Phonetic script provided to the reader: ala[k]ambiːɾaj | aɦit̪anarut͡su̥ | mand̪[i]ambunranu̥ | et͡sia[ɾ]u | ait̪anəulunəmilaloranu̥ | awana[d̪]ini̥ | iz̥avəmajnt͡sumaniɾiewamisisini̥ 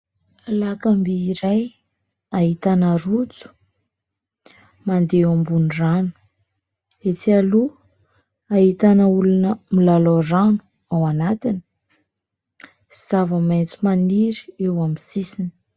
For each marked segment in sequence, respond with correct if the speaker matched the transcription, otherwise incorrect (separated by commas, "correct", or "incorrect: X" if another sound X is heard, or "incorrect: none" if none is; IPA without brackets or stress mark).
correct, incorrect: e, incorrect: l, incorrect: t̪